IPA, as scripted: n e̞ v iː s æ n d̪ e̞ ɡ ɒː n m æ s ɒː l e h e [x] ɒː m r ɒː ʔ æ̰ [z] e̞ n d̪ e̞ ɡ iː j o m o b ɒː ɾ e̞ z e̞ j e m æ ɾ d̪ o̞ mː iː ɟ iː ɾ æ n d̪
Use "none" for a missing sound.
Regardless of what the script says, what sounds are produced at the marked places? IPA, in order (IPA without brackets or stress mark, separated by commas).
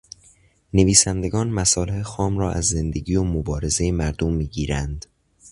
x, zː